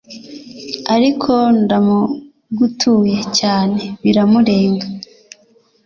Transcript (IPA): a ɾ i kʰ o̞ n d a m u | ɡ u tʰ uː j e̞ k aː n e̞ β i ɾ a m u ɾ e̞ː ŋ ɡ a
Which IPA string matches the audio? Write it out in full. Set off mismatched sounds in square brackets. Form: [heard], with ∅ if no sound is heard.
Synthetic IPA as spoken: a ɾ i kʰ o̞ n d a m u | ɡ u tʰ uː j e̞ [c] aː n e̞ β i ɾ a m u ɾ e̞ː ŋ ɡ a